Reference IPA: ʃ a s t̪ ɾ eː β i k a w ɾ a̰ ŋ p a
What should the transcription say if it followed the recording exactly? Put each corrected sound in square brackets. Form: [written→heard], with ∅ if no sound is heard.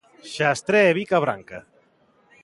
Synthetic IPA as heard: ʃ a s t̪ ɾ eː β i k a [w→β] ɾ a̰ ŋ [p→k] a